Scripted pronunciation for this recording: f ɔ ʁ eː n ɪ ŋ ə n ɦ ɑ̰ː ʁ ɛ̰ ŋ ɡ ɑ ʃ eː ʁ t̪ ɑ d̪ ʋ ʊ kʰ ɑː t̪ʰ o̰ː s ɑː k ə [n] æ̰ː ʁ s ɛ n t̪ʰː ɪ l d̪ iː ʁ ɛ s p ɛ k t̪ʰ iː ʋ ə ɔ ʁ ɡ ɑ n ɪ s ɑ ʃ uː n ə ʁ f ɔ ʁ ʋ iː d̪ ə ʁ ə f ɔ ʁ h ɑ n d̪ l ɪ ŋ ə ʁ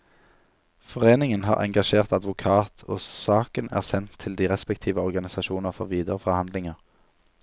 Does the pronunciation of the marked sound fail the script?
no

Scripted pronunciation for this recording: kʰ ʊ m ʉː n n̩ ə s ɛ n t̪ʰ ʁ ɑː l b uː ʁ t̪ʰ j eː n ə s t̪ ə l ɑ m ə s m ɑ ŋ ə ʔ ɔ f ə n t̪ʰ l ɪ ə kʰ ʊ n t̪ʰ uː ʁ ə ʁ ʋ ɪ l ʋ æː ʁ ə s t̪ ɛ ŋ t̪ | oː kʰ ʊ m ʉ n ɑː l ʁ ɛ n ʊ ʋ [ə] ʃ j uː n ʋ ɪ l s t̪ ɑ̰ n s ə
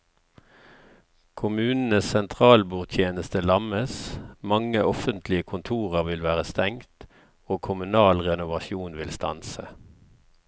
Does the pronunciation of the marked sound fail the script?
yes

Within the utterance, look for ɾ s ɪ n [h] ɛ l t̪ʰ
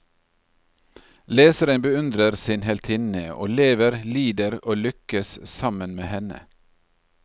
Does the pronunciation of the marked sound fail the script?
no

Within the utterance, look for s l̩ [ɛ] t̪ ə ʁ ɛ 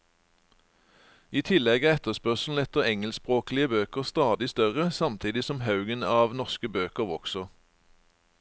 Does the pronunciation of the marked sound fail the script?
no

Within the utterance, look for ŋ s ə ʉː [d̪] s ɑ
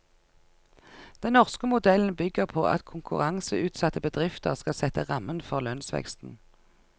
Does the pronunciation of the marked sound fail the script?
yes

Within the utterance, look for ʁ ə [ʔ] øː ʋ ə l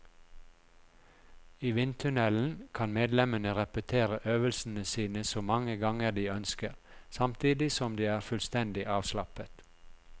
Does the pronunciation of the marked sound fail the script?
no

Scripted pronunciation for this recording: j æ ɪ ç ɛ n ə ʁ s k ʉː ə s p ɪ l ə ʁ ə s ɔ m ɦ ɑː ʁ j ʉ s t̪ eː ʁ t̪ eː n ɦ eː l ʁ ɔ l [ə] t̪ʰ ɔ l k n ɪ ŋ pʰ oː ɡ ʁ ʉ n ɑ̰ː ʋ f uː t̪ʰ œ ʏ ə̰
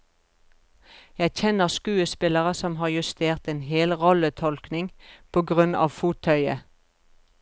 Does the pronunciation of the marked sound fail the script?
no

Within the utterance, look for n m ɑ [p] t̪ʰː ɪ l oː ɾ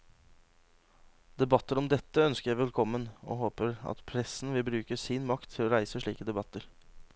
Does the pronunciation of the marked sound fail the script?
yes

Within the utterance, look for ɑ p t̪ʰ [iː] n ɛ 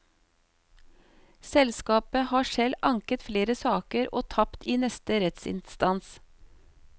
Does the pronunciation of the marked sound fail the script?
no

